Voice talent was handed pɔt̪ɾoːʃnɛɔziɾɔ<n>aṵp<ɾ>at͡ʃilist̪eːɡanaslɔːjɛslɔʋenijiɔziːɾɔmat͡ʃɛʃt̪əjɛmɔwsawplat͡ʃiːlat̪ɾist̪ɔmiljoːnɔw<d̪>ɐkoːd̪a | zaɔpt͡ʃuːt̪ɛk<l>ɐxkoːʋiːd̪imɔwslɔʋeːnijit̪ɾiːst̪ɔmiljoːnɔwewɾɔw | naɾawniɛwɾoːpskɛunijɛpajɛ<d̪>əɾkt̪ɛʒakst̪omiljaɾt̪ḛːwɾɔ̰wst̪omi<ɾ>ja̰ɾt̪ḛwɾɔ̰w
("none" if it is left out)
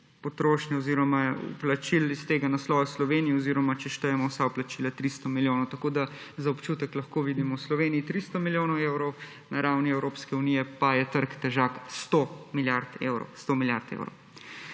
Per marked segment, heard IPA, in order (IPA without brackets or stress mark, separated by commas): m, l, t̪, l, t̪, l